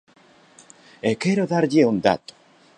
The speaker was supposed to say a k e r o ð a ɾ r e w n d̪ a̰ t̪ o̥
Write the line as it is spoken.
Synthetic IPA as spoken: e k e ɾ o ð a ɾ ʎ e u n d̪ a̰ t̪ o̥